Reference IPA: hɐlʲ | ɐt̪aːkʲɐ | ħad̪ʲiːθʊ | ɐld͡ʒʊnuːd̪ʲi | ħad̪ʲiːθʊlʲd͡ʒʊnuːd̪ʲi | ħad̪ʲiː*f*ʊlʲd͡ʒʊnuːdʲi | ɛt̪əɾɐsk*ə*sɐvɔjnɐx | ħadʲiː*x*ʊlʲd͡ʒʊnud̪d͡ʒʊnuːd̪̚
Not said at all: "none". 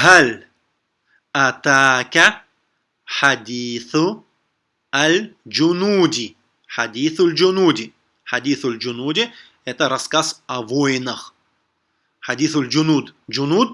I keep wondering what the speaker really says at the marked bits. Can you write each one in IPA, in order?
θ, a, θ

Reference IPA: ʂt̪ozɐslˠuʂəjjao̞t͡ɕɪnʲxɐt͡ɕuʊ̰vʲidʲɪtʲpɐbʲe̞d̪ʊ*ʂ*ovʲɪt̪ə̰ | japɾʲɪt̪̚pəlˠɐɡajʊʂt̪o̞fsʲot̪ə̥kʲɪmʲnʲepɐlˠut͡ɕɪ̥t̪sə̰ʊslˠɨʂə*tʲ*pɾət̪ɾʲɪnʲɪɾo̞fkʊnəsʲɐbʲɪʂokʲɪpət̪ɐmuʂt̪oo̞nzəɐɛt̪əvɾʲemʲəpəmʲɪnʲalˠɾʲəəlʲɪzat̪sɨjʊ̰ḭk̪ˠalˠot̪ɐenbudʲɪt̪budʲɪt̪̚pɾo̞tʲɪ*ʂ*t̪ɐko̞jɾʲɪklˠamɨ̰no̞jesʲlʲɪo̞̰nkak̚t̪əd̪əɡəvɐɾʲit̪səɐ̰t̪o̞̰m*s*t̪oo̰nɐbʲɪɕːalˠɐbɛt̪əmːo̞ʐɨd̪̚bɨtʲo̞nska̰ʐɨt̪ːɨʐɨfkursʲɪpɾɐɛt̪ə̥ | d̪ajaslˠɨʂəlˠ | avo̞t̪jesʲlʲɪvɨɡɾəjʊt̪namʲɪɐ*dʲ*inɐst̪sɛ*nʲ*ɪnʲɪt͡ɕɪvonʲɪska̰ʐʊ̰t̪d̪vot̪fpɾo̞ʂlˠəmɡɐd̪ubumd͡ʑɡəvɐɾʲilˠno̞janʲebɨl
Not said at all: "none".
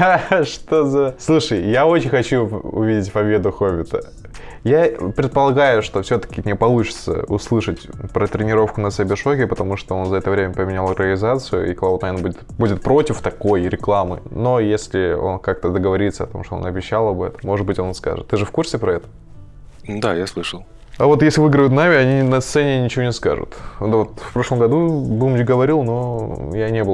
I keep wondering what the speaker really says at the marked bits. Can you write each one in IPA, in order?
x, tʲ, f, ʂ, nʲ, nʲ

